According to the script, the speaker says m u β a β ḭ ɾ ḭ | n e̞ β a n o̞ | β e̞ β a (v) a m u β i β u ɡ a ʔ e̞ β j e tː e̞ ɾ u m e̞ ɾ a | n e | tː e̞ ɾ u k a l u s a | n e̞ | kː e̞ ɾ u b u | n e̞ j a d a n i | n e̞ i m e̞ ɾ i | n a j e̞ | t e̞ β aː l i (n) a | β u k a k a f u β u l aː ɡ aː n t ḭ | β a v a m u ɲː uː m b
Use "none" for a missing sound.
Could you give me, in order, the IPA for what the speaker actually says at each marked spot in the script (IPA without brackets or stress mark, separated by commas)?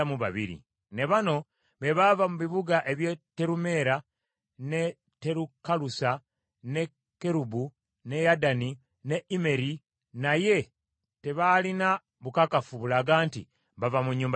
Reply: v, n